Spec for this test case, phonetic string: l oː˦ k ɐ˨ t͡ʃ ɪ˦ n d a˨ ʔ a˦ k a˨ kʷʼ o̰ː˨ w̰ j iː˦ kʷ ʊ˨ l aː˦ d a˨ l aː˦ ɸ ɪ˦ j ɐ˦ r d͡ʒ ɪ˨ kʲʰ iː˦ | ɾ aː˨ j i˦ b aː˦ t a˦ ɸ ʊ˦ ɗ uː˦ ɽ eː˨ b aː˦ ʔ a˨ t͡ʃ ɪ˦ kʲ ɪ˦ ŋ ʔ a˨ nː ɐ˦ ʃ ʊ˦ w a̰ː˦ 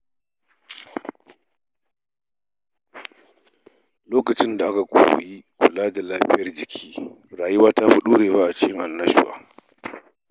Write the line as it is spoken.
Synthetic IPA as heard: l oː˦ k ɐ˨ t͡ʃ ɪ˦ n d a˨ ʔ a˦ k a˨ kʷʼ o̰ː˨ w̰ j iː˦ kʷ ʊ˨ l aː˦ d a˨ l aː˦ ɸ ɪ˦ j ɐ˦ r d͡ʒ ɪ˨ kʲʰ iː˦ | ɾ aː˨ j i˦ w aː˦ t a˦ ɸ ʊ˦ ɗ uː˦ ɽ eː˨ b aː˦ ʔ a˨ t͡ʃ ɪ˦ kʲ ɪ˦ ŋ ʔ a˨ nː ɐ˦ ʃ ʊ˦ w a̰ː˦